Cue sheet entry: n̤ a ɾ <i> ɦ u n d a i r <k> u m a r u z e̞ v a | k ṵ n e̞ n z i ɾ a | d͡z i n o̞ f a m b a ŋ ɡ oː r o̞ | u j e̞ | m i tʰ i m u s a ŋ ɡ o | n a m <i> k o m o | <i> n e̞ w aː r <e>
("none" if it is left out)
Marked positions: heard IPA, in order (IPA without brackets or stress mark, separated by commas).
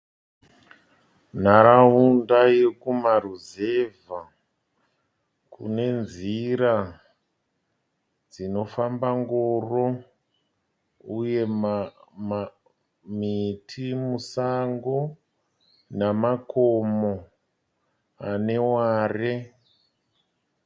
a, k, a, a, e